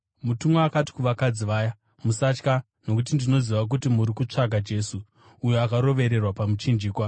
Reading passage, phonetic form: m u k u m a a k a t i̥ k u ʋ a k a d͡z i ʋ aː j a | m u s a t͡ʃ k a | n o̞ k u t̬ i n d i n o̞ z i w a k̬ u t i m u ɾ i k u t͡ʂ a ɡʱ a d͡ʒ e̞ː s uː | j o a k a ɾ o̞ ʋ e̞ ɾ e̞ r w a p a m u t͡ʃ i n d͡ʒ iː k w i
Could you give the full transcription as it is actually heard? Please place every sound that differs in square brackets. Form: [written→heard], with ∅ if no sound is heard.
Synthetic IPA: m u [k→t] u m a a k a t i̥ k u ʋ a k a d͡z i ʋ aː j a | m u s a t͡ʃ k a | n o̞ k u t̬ i n d i n o̞ z i [w→ʋ] a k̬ u t i m u ɾ i k u t͡ʂ a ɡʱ a d͡ʒ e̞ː s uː | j o a k a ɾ o̞ ʋ e̞ ɾ e̞ r w a p a m u t͡ʃ i n d͡ʒ iː k w [i→a]

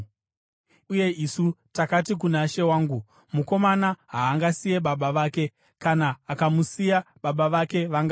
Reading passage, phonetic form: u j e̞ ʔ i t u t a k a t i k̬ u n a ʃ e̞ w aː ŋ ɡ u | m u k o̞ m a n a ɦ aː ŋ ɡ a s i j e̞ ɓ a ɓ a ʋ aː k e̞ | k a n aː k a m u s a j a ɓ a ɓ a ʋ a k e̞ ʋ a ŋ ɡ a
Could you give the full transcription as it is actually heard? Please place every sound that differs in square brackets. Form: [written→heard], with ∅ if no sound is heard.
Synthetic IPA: u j e̞ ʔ i [t→s] u t a k a t i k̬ u n a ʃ e̞ w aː ŋ ɡ u | m u k o̞ m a n a ɦ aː ŋ ɡ a s i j e̞ ɓ a ɓ a ʋ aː k e̞ | k a n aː k a m u s [a→i] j a ɓ a ɓ a ʋ a k e̞ ʋ a ŋ ɡ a

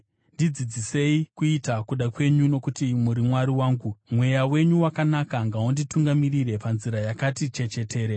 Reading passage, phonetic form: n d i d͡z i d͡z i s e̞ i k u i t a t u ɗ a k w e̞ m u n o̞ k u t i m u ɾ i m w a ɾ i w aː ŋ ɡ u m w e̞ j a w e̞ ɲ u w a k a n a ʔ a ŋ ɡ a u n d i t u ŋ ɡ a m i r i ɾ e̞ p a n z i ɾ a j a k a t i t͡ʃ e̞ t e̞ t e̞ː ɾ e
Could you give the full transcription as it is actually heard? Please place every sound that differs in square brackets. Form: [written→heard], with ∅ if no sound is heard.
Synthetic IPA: n d i d͡z i d͡z i s e̞ i k u i t a [t→k] u ɗ a k w e̞ [m→ɲ] u n o̞ k u t i m u ɾ i m w a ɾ i w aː ŋ ɡ u m w e̞ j a w e̞ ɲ u w a k a n a [ʔ→k] a ŋ ɡ a u n d i t u ŋ ɡ a m i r i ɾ e̞ p a n z i ɾ a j a k a t i t͡ʃ e̞ [t→t͡ʃ] e̞ t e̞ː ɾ e

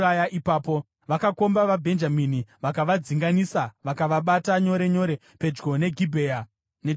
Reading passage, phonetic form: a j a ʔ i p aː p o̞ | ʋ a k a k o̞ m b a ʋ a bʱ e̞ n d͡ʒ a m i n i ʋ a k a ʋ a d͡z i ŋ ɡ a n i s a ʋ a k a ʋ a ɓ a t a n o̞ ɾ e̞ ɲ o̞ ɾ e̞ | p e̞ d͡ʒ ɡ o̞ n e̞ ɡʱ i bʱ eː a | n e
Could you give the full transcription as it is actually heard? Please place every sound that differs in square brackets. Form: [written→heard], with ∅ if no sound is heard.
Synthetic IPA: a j a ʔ i p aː p o̞ | ʋ a k a k o̞ m b a ʋ a bʱ e̞ n d͡ʒ a m i n i ʋ a k a ʋ a d͡z i ŋ ɡ a n i s a ʋ a k a ʋ a ɓ a t a [n→ɲ] o̞ ɾ e̞ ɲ o̞ ɾ e̞ | p e̞ d͡ʒ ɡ o̞ n e̞ ɡʱ i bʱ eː a | n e

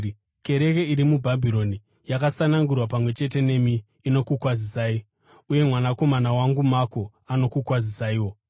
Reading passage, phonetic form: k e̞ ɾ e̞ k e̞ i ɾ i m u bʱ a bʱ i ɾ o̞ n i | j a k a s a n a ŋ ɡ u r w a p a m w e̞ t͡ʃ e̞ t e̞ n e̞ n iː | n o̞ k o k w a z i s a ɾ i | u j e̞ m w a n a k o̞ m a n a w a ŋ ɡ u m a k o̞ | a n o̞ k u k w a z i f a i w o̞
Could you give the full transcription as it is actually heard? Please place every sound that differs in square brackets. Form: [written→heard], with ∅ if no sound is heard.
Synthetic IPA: k e̞ ɾ e̞ k e̞ i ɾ i m u bʱ a bʱ i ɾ o̞ n i | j a k a s a n a ŋ ɡ u r w a p a m w e̞ t͡ʃ e̞ t e̞ n e̞ [n→m] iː | n o̞ k [o→u] k w a z i s a [ɾ→∅] i | u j e̞ m w a n a k o̞ m a n a w a ŋ ɡ u m a k o̞ | a n o̞ k u k w a z i [f→s] a i w o̞

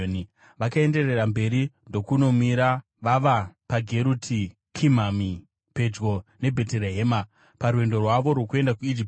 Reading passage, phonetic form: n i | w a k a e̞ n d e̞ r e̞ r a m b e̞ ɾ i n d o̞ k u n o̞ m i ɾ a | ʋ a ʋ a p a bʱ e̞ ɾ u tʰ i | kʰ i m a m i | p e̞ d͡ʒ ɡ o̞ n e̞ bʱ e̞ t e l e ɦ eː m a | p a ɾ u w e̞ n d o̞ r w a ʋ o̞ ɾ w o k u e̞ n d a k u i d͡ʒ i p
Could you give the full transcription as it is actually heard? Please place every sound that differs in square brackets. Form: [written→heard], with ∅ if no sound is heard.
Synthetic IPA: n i | [w→ʋ] a k a e̞ n d e̞ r e̞ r a m b e̞ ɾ i n d o̞ k u n o̞ m i ɾ a | ʋ a ʋ a p a [bʱ→ɡʱ] e̞ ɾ u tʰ i | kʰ i m a m i | p e̞ d͡ʒ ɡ o̞ n e̞ bʱ e̞ t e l e ɦ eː m a | p a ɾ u w e̞ n d o̞ r w a ʋ o̞ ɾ w o k u e̞ n d a k u i d͡ʒ i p

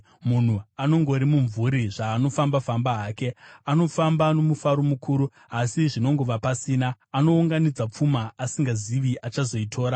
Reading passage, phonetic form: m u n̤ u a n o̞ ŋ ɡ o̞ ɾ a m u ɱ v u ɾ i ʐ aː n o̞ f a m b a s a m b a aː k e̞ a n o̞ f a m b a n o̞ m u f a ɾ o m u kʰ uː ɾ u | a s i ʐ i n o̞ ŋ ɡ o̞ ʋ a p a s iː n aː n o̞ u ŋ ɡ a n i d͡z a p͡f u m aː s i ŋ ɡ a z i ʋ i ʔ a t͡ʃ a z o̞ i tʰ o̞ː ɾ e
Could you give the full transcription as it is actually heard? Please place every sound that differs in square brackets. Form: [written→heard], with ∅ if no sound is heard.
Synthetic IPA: m u n̤ u a n o̞ ŋ ɡ o̞ ɾ [a→i] m u ɱ v u ɾ i ʐ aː n o̞ f a m b a [s→f] a m b a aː k e̞ a n o̞ f a m b a n o̞ m u f a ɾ o m u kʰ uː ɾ u | a s i ʐ i n o̞ ŋ ɡ o̞ ʋ a p a s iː n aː n o̞ u ŋ ɡ a n i d͡z a p͡f u m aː s i ŋ ɡ a z i ʋ i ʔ a t͡ʃ a z o̞ i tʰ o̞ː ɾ [e→a]

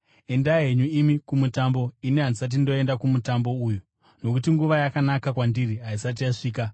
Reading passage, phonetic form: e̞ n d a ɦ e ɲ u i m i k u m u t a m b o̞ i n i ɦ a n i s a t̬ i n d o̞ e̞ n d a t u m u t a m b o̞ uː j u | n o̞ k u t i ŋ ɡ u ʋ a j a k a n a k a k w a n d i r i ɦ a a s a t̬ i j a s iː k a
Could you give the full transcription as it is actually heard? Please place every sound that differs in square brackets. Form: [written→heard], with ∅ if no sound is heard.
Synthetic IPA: e̞ n d a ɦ e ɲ u i m i k u m u t a m b o̞ i n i ɦ a n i s a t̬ i n d o̞ e̞ n d a [t→k] u m u t a m b o̞ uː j u | n o̞ k u t i ŋ ɡ u ʋ a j a k a n a k a k w a n d i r i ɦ a [a→i] s a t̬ i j a [s→ʂ] iː k a

